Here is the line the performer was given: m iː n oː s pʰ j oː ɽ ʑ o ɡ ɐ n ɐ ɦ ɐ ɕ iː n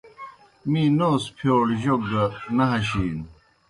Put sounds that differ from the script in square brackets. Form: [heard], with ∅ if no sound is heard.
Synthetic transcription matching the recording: m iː n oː s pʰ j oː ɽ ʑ o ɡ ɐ n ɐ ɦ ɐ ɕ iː n